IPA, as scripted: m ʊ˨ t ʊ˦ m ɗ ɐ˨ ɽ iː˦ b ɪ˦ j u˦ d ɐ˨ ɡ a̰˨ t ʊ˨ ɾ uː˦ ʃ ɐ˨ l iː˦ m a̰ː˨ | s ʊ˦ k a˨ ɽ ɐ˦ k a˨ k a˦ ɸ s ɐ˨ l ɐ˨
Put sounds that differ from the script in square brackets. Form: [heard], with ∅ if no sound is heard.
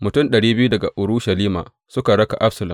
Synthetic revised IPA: m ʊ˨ t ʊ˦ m ɗ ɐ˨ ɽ iː˦ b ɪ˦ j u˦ d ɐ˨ ɡ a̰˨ [ʔ] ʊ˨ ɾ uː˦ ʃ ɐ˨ l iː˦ m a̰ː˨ | s ʊ˦ k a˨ ɽ ɐ˦ k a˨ [ʔ] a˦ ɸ s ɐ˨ l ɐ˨